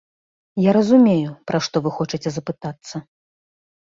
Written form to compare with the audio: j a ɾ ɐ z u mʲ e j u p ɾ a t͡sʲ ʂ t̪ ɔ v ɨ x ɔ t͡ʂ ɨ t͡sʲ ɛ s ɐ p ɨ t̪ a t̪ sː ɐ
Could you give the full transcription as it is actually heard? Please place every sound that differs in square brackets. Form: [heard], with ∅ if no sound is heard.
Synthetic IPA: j a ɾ ɐ z u mʲ e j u p ɾ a [∅] ʂ t̪ ɔ v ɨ x ɔ t͡ʂ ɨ t͡sʲ ɛ [z] ɐ p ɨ t̪ a t̪ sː ɐ